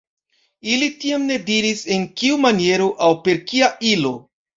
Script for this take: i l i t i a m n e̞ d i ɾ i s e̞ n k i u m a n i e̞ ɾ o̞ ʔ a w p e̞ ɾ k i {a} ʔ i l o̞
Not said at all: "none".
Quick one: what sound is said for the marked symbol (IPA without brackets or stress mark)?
a